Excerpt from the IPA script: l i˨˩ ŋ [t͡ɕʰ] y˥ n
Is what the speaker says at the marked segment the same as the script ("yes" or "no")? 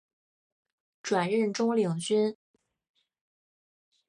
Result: no